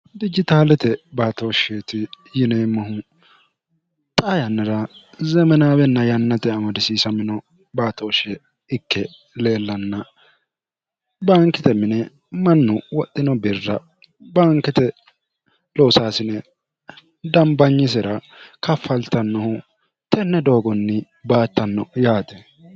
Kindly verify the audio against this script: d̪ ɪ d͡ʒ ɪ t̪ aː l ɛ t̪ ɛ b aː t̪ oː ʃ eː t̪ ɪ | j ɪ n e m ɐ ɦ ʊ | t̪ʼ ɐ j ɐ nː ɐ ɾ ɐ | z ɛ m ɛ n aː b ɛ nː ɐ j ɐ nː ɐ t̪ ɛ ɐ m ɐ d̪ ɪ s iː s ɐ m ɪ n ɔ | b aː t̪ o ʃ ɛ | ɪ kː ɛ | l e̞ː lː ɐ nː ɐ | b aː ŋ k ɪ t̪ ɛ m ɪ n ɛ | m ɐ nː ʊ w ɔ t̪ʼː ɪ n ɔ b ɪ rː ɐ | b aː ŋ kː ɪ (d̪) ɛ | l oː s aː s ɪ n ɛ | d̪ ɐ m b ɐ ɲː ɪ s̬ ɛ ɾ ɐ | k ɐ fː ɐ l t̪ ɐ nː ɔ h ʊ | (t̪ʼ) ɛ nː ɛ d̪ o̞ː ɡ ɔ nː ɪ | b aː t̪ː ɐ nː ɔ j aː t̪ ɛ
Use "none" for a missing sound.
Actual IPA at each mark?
t̪, t̪

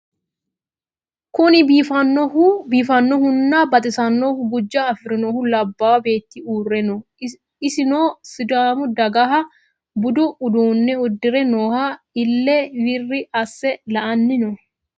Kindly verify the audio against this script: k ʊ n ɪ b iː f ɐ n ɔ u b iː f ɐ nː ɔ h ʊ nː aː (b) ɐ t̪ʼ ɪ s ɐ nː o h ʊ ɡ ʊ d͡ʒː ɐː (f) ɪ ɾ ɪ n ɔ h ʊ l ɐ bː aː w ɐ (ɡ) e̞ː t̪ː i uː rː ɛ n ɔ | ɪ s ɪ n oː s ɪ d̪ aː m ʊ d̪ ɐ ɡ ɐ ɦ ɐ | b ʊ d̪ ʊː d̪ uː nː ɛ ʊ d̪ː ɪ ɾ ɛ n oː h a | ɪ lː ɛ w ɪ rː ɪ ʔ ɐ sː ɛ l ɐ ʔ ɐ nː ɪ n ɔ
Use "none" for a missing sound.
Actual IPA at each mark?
b, f, b

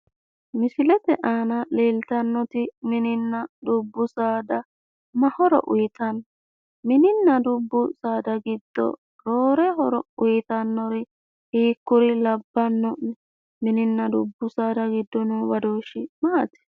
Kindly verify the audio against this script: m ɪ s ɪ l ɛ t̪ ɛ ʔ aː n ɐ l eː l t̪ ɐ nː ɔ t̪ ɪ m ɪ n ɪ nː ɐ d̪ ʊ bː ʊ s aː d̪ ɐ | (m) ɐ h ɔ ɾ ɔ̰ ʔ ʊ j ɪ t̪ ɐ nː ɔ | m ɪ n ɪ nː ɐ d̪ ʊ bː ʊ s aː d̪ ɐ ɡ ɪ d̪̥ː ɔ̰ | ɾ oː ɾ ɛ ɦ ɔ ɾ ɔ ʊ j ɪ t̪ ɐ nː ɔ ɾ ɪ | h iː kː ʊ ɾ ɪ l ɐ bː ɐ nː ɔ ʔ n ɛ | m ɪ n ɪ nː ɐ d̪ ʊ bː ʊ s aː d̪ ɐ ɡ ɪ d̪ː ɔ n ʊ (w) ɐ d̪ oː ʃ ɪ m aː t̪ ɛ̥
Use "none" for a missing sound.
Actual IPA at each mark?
m, w

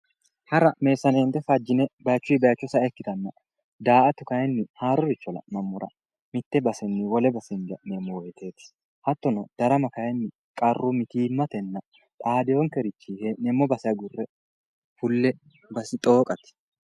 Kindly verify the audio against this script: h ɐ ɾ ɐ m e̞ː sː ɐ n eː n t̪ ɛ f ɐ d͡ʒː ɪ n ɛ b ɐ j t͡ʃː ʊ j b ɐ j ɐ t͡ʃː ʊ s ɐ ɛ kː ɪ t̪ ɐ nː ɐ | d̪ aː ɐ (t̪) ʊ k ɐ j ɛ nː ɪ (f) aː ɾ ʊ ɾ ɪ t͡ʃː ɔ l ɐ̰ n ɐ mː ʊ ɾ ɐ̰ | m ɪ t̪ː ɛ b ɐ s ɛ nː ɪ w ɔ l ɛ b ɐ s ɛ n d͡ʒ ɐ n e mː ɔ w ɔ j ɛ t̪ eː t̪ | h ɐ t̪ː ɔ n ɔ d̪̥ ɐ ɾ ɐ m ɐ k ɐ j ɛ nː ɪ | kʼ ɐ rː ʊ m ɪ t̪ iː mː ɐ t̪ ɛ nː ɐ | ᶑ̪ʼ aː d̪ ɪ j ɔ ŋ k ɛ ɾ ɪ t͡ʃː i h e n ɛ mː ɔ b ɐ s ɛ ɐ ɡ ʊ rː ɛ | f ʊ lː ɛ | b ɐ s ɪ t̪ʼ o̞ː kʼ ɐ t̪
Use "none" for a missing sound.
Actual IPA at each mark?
t̪, h

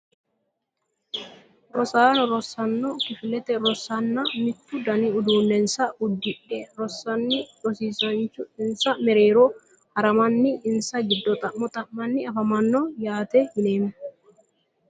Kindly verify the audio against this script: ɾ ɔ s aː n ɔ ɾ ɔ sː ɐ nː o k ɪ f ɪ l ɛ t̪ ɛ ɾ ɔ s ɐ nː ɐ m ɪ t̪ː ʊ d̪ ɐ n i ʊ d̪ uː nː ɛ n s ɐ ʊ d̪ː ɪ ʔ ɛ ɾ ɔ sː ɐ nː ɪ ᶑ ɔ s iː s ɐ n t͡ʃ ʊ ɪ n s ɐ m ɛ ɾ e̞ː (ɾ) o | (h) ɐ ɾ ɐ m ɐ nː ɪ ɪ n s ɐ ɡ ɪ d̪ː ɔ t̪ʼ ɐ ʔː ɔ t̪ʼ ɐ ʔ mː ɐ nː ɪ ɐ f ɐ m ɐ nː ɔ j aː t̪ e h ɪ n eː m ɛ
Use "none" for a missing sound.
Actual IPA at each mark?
ɾ, h

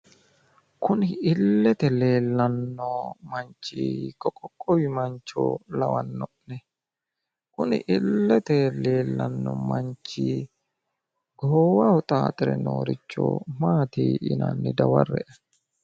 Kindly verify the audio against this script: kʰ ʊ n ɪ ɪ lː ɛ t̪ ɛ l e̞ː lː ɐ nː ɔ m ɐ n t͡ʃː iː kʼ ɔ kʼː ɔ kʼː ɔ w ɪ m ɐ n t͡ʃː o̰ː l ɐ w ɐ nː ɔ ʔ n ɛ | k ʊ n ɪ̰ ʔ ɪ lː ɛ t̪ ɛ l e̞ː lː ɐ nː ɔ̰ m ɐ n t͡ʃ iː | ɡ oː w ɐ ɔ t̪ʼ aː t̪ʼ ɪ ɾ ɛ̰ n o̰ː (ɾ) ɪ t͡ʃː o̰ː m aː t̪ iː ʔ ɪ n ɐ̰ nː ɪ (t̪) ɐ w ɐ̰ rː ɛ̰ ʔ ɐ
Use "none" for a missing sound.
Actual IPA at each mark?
ɾ, d̪

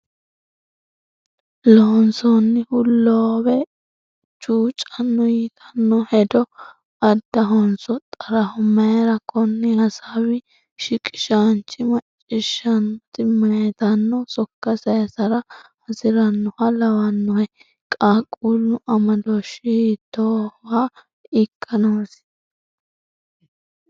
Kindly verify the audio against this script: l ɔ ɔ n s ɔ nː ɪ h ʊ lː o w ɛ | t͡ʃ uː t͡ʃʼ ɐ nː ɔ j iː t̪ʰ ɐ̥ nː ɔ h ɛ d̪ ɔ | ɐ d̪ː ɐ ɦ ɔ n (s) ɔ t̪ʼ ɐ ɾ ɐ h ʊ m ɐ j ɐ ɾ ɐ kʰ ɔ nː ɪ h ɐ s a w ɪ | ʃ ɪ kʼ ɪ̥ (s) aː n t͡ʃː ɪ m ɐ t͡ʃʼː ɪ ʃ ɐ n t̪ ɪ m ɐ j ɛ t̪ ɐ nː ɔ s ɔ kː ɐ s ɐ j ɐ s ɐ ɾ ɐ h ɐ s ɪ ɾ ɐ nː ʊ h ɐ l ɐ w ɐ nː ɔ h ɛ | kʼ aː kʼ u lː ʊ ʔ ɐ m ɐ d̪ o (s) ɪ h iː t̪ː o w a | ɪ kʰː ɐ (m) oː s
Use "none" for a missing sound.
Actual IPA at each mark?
s, ʃ, ʃ, n

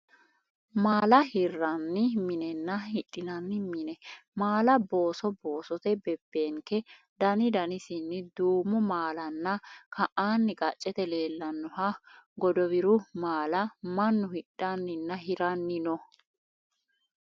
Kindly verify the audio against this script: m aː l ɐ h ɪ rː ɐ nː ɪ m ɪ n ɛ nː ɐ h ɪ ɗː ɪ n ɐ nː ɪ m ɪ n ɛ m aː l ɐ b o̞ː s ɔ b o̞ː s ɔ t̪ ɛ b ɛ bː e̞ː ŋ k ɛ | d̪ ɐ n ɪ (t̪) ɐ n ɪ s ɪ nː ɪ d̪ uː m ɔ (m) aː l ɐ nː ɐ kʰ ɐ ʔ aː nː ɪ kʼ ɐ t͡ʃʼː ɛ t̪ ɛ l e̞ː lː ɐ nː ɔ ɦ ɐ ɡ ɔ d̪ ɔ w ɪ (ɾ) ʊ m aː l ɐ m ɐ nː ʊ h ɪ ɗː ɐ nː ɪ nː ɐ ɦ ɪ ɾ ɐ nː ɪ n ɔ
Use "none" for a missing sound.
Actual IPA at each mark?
d̪, m, ɾ

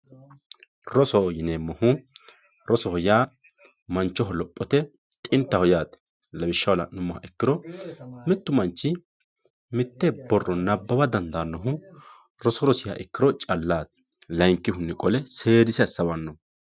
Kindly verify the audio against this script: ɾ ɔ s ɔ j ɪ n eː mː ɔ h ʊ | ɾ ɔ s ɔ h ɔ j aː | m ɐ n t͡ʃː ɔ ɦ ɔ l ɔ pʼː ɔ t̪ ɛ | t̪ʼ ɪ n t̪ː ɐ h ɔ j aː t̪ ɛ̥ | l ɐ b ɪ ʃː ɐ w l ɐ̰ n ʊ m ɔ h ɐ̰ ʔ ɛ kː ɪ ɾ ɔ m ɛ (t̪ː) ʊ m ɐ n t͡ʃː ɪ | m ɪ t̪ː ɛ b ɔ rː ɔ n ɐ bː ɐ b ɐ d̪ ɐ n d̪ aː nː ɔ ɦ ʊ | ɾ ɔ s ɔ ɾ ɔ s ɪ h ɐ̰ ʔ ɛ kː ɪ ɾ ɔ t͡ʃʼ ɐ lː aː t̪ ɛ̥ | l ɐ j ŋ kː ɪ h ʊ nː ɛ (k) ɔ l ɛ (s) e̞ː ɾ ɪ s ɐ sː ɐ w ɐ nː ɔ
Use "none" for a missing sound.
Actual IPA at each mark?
t̪ː, kʼ, s

